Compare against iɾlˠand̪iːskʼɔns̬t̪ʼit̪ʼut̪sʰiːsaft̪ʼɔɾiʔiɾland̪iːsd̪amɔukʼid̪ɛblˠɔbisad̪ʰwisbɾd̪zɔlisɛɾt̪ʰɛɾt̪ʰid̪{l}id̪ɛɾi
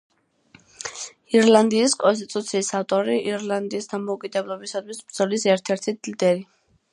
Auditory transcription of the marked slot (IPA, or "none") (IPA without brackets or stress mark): l